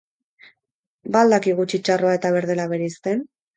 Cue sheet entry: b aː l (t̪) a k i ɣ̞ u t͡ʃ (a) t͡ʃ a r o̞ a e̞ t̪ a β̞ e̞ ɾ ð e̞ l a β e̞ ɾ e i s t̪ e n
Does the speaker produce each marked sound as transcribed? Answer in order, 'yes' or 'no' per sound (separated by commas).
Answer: no, no